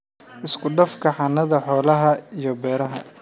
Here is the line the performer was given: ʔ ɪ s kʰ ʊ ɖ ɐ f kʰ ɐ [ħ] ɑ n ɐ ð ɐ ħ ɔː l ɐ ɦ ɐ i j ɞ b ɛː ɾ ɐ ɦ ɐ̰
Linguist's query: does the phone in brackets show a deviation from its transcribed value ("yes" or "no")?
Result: no